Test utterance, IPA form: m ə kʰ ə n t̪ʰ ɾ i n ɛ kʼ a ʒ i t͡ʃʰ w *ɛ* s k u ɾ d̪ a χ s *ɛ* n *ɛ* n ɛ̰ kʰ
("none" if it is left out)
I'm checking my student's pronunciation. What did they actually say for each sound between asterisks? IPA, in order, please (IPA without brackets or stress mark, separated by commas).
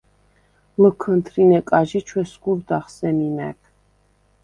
ɛ, ɛ, i